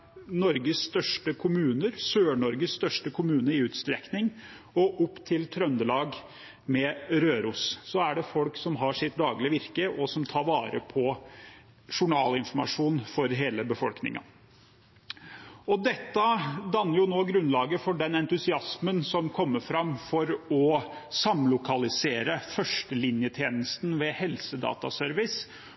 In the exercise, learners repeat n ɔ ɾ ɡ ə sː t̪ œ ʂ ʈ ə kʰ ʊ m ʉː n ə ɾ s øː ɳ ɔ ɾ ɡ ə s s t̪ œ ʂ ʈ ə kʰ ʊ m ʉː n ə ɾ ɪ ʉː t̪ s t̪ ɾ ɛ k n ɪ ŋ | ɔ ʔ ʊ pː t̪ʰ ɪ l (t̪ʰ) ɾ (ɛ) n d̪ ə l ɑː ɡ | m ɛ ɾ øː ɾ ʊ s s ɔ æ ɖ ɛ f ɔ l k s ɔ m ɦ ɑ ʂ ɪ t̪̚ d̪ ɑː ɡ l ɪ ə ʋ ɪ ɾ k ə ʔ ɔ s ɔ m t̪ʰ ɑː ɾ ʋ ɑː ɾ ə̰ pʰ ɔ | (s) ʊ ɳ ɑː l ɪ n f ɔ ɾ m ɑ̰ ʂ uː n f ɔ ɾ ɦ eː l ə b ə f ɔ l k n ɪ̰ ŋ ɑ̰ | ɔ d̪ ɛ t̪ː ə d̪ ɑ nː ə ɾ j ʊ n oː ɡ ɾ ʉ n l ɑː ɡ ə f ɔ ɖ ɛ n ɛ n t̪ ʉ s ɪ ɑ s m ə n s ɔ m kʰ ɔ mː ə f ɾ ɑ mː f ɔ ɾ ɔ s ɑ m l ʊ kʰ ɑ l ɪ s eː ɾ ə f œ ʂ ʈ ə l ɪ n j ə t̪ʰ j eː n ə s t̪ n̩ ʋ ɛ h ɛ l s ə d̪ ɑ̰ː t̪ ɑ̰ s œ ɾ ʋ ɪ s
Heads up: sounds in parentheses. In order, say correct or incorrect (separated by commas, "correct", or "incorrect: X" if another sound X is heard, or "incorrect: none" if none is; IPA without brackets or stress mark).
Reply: correct, incorrect: œ, incorrect: ʂ